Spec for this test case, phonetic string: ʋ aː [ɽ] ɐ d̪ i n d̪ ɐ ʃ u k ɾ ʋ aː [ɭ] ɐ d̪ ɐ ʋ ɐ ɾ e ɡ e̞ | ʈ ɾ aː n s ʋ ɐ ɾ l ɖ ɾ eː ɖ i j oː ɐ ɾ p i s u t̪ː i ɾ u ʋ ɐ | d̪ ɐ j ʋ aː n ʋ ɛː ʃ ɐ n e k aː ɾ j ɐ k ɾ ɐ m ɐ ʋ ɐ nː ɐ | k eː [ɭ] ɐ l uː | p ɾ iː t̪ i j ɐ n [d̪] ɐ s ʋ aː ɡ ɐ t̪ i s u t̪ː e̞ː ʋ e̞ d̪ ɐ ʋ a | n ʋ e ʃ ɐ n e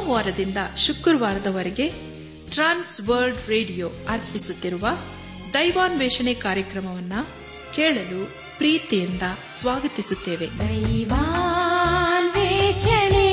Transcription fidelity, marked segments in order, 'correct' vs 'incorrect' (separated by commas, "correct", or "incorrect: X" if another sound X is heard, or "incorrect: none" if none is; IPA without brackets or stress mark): incorrect: ɾ, incorrect: ɾ, correct, correct